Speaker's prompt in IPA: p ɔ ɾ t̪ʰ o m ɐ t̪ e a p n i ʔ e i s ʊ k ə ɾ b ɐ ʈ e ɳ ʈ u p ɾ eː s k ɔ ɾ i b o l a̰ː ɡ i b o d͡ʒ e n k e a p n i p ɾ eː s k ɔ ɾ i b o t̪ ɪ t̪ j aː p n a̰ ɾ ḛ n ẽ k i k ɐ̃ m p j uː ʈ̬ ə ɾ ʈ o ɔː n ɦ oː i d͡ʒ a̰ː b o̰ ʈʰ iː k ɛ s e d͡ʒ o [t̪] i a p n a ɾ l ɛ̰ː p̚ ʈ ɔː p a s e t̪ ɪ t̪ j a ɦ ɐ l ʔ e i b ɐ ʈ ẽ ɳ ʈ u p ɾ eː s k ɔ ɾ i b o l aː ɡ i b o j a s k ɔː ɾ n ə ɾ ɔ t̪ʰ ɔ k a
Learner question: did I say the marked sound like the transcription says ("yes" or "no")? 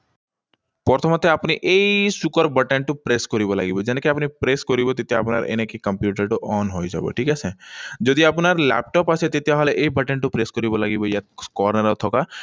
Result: no